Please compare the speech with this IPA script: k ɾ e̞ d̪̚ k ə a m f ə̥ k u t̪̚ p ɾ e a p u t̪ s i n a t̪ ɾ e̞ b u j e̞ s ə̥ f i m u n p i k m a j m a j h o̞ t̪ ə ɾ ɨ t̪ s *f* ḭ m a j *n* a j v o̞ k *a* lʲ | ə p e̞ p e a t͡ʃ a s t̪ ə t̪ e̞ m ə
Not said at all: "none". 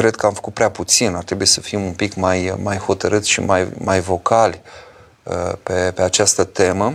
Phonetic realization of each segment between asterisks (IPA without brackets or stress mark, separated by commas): ʃ, m, a